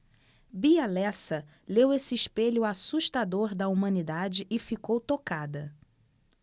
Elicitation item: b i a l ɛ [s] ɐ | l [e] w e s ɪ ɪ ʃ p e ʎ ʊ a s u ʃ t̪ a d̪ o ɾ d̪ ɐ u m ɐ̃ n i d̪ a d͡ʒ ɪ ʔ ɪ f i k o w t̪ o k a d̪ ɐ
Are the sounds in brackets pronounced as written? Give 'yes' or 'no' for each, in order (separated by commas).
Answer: yes, yes